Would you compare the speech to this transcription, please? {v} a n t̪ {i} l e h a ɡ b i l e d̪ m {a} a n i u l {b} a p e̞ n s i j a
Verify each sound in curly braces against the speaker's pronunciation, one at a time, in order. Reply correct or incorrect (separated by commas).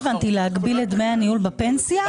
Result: correct, correct, incorrect, correct